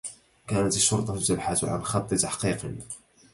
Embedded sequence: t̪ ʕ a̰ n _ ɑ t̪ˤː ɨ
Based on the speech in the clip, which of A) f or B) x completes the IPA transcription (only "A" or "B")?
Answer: B